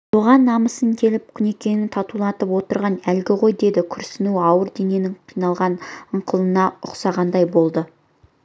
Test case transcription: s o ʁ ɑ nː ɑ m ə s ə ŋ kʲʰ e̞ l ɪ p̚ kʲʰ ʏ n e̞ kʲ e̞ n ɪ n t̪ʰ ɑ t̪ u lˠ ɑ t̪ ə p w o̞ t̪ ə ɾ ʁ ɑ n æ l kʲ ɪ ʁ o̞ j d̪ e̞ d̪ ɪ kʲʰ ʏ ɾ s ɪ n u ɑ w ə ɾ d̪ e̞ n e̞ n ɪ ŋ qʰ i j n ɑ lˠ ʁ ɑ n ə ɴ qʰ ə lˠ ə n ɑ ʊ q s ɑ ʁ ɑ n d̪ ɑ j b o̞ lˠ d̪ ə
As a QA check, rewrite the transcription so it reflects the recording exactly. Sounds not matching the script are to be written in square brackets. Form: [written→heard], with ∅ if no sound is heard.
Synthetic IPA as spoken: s o ʁ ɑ nː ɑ m ə s ə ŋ kʲʰ e̞ l ɪ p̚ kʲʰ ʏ n e̞ kʲ e̞ n ɪ n t̪ʰ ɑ t̪ u lˠ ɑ t̪ ə p w o̞ t̪ ə ɾ ʁ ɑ n æ l [kʲ→ɡʲ] ɪ ʁ o̞ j d̪ e̞ d̪ ɪ kʲʰ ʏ ɾ s ɪ n u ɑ w ə ɾ d̪ e̞ n e̞ n ɪ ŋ qʰ i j n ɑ lˠ ʁ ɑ n ə ɴ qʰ ə lˠ ə n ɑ ʊ q s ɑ ʁ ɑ n d̪ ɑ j b o̞ lˠ d̪ ə